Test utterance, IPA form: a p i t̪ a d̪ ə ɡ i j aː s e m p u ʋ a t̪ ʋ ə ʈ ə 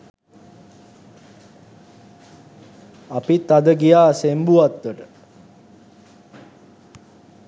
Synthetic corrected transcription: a p i t̪ a d̪ ə ɡ i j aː s e m b u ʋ a t̪ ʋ ə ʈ ə